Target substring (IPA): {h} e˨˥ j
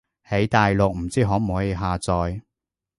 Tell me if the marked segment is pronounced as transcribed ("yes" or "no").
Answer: yes